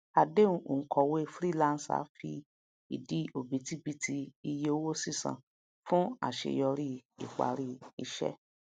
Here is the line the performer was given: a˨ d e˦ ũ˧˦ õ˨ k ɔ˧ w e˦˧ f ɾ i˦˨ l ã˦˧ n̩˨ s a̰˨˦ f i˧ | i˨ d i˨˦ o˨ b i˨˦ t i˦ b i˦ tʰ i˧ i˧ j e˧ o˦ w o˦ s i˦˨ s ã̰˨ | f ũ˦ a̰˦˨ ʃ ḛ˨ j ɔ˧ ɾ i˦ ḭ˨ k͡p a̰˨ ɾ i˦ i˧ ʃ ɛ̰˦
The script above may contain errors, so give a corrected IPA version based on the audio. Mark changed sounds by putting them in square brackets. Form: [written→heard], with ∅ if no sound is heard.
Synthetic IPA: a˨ d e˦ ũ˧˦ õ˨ k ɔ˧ w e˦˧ f ɾ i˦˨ l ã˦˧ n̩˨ s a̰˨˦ f i˧ | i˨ d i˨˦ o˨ b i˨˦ t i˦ b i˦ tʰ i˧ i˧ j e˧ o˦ w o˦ s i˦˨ s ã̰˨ | f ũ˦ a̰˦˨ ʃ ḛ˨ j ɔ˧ ɾ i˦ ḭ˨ k͡p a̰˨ ɾ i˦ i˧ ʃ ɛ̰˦

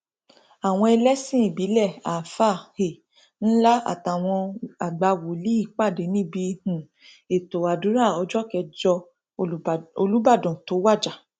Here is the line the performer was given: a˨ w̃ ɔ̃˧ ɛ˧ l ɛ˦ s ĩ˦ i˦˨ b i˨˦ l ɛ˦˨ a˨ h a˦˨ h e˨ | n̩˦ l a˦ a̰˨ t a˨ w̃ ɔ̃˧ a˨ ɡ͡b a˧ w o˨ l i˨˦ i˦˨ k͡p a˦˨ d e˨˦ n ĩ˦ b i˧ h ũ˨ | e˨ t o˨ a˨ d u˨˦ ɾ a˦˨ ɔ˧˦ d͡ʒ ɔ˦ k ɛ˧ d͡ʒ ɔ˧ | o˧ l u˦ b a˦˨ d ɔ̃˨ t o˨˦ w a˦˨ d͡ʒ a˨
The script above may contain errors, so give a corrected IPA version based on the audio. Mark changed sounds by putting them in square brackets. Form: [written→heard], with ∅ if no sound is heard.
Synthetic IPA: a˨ w̃ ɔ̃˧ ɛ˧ l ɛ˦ s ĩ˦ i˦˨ b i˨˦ l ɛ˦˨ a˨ [h→f] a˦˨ h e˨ | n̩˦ l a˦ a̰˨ t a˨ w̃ ɔ̃˧ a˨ ɡ͡b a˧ w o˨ l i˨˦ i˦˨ k͡p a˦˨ d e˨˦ n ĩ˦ b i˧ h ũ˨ | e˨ t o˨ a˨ d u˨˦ ɾ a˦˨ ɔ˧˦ d͡ʒ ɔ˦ k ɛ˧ d͡ʒ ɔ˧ | o˧ l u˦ b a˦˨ d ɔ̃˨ t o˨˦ w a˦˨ d͡ʒ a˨

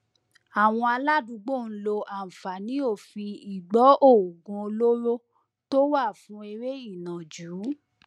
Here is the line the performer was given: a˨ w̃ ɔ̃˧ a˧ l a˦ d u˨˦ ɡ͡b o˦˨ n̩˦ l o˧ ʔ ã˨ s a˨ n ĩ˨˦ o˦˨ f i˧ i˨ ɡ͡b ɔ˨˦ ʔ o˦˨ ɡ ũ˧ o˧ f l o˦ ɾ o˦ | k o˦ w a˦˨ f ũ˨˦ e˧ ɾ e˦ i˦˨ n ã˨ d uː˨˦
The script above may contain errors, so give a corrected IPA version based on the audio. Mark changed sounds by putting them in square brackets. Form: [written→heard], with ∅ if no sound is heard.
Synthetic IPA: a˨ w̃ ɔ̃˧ a˧ l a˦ d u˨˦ ɡ͡b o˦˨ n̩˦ l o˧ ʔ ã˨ [s→f] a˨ n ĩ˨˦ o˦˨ f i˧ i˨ ɡ͡b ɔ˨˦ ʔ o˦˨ ɡ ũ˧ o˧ [f→∅] l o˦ ɾ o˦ | [k→t] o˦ w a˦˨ f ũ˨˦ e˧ ɾ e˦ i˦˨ n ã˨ [d→d͡ʒ] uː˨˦

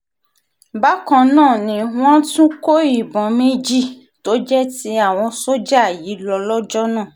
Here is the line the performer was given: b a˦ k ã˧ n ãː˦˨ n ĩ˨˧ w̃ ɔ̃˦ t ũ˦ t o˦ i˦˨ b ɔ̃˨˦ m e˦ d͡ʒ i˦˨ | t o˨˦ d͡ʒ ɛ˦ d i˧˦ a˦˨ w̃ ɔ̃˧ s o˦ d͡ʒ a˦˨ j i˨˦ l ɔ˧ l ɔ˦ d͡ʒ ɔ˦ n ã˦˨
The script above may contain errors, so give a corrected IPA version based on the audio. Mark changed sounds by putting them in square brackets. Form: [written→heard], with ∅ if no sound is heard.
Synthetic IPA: b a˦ k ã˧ n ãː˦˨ n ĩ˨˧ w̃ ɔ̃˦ t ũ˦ [t→k] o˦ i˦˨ b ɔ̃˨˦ m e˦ d͡ʒ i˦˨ | t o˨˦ d͡ʒ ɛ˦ [d→t] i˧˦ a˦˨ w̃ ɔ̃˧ s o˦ d͡ʒ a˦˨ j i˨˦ l ɔ˧ l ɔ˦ d͡ʒ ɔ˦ n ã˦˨

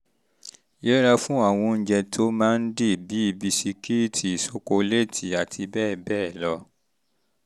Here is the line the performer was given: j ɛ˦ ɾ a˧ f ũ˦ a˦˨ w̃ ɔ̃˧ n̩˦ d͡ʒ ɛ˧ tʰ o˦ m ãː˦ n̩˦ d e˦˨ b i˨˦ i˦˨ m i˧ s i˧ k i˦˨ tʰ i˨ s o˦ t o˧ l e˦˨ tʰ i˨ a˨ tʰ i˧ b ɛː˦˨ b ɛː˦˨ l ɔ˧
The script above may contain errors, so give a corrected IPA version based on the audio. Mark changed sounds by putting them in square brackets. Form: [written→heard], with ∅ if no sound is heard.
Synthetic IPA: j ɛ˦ ɾ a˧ f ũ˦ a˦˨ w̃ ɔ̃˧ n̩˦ d͡ʒ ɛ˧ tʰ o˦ m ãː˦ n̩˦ d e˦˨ b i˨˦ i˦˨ [m→b] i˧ s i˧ k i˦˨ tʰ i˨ s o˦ [t→k] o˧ l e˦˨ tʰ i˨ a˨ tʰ i˧ b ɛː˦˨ b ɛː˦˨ l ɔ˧

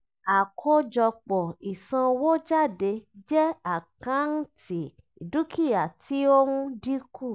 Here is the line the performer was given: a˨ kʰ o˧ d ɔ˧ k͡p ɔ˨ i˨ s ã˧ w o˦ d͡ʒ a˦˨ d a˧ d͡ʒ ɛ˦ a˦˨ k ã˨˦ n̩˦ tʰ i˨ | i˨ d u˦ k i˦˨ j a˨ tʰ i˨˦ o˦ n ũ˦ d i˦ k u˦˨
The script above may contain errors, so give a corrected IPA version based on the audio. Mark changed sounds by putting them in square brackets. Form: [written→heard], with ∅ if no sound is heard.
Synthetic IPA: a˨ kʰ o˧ [d→d͡ʒ] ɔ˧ k͡p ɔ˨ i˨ s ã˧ w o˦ d͡ʒ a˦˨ d [a˧→e˧] d͡ʒ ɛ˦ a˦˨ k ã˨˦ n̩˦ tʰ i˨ | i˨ d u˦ k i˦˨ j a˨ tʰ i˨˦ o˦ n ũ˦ d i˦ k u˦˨

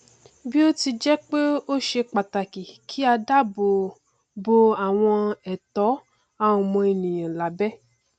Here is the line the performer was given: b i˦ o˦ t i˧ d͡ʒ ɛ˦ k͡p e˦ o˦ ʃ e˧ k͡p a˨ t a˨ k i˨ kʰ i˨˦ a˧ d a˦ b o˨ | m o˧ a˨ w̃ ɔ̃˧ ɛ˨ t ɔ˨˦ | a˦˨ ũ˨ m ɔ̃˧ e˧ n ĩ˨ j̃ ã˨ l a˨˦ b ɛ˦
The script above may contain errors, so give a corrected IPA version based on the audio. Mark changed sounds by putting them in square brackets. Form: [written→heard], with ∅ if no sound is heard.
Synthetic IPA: b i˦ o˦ t i˧ d͡ʒ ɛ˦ k͡p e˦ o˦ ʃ e˧ k͡p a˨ t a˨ k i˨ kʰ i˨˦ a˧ d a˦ b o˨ | [m→b] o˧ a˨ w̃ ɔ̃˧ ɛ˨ t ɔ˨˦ | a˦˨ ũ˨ m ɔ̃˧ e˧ n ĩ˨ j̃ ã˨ l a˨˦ b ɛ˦

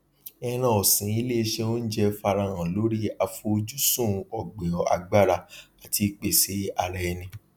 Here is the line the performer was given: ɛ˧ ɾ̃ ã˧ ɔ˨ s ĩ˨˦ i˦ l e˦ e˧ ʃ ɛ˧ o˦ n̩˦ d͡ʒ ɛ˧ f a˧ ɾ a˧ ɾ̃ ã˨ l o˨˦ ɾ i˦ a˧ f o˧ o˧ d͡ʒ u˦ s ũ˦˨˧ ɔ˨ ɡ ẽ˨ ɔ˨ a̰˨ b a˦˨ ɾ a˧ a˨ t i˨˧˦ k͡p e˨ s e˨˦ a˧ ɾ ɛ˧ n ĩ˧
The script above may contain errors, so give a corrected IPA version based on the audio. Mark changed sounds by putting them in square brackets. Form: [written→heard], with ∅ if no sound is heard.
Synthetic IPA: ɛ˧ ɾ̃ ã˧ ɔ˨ s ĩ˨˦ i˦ l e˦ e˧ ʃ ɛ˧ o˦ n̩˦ d͡ʒ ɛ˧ f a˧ ɾ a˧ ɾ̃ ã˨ l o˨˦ ɾ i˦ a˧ f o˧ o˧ d͡ʒ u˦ s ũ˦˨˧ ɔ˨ [ɡ→ɡ͡b] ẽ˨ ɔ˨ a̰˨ [b→ɡ͡b] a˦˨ ɾ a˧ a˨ t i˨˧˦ k͡p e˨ s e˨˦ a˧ ɾ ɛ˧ n ĩ˧

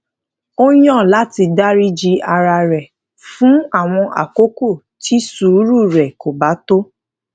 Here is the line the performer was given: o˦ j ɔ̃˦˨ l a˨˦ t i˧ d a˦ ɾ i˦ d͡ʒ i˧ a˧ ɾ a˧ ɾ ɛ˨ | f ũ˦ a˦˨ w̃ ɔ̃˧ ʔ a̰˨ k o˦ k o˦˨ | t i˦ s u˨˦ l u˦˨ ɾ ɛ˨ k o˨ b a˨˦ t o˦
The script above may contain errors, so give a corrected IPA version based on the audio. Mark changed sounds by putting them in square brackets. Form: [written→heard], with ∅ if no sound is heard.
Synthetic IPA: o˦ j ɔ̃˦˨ l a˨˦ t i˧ d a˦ ɾ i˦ d͡ʒ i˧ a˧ ɾ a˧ ɾ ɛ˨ | f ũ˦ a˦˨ w̃ ɔ̃˧ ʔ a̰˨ k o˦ k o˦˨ | t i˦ s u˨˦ [l→ɾ] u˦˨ ɾ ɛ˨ k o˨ b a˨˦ t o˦

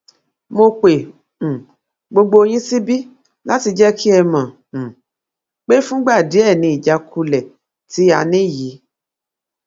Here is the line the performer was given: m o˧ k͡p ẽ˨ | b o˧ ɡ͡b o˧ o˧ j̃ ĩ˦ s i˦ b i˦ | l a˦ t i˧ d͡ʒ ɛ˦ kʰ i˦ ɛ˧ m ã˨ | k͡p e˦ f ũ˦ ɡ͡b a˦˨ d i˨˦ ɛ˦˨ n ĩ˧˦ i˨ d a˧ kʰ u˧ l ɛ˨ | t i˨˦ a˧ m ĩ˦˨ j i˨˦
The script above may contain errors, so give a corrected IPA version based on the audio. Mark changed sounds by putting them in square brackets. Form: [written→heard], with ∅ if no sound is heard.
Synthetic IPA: m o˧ k͡p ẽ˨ | [b→ɡ͡b] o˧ ɡ͡b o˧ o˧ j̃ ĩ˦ s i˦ b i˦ | l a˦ t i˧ d͡ʒ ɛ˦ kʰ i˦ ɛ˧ m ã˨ | k͡p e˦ f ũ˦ ɡ͡b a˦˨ d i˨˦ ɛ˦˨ n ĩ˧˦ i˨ [d→d͡ʒ] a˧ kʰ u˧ l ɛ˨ | t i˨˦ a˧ [m→n] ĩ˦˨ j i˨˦

